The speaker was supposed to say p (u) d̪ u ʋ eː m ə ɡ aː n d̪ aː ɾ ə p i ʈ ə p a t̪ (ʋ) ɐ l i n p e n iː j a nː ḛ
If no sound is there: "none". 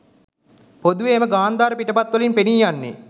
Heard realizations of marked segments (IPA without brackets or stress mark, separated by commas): o, ʋ